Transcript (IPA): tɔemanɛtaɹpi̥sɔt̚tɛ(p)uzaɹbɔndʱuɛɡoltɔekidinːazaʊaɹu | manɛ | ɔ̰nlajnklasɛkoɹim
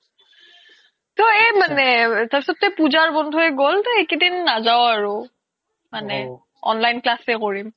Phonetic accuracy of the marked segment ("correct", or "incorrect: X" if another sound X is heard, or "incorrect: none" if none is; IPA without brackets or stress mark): correct